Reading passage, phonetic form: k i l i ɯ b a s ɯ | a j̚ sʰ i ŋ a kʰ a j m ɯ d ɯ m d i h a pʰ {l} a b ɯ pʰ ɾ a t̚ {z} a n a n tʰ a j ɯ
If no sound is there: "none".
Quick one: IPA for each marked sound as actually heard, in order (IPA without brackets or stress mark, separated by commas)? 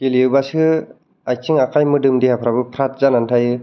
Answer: ɾ, z